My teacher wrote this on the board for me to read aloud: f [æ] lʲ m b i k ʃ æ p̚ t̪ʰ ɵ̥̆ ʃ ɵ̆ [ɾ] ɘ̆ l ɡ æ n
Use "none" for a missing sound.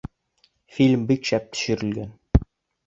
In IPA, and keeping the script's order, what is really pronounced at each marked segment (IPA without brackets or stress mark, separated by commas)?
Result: i, ɾ